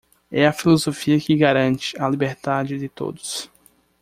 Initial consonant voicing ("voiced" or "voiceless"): voiceless